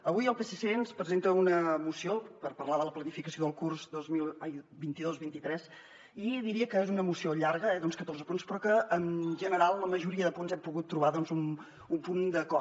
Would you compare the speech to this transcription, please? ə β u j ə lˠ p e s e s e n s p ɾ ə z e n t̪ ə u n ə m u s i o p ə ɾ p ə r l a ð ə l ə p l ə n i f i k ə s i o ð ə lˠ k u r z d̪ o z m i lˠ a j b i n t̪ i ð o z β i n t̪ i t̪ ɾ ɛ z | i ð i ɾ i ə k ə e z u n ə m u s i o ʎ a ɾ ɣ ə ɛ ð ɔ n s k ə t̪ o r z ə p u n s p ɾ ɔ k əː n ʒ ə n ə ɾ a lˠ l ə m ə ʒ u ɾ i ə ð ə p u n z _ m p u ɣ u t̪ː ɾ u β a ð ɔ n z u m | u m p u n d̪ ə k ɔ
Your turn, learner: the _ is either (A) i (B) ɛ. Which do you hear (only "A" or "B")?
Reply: B